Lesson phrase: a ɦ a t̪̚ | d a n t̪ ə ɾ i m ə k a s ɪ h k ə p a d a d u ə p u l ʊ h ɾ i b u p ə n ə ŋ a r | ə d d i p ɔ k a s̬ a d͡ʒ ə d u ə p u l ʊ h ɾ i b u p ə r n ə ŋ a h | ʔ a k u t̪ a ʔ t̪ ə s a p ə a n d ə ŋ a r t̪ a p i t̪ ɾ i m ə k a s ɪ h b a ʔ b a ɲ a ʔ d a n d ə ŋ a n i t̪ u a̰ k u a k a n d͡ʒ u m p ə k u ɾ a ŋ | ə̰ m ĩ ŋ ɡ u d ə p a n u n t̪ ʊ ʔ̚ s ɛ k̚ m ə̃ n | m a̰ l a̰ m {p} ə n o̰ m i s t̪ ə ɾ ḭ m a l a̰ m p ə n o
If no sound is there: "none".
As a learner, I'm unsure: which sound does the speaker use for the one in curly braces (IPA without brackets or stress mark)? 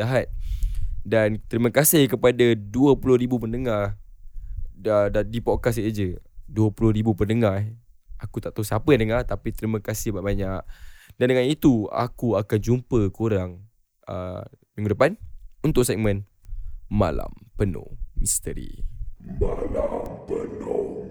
p